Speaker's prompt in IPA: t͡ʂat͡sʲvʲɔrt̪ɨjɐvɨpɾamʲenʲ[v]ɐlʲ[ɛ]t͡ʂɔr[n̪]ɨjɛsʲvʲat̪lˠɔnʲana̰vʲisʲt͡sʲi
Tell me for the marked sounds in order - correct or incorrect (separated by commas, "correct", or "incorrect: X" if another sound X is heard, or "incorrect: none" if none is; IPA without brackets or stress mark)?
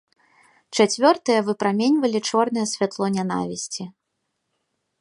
correct, incorrect: i, correct